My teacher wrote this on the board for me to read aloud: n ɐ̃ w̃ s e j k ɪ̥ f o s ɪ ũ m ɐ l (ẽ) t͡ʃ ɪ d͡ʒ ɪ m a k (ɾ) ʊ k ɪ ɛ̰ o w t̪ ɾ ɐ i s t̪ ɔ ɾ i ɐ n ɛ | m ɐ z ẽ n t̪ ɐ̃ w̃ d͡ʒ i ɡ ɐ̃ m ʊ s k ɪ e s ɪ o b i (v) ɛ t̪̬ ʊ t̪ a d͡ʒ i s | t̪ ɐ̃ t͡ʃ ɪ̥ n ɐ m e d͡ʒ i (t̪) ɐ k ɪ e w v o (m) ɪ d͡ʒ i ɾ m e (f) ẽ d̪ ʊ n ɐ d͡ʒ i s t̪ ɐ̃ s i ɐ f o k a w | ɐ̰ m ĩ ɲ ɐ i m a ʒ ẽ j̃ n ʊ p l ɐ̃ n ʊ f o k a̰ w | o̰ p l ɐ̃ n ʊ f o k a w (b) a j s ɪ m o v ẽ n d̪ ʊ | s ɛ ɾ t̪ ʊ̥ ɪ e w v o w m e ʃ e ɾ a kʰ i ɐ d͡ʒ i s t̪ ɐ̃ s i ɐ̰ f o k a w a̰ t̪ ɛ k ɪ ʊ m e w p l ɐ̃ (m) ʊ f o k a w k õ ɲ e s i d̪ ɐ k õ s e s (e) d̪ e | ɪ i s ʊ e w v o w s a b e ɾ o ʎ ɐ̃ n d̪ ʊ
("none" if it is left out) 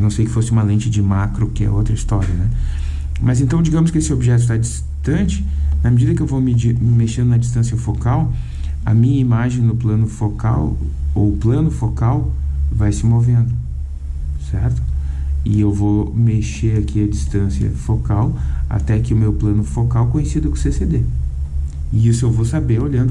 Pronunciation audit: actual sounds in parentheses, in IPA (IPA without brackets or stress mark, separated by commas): ẽ, ɾ, ʒ, d̪, m, ʃ, v, n, e